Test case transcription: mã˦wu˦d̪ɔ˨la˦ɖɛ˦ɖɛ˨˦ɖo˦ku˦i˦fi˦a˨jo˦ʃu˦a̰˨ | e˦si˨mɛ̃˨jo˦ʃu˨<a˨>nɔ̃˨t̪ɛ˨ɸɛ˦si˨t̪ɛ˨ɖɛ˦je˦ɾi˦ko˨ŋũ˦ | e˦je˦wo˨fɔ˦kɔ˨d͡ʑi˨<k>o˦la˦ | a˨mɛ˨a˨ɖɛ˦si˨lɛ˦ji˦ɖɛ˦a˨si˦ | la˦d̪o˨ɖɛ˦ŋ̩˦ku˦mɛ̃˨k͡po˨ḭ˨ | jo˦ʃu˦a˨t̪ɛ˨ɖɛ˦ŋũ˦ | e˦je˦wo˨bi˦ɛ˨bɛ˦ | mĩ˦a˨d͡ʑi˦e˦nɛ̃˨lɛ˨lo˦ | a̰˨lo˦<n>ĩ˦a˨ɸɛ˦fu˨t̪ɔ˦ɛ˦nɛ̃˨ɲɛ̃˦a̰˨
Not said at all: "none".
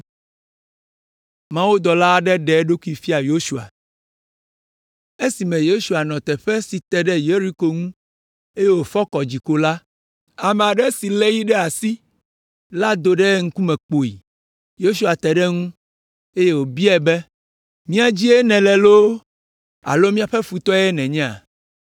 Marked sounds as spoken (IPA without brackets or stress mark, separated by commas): a˨, k, m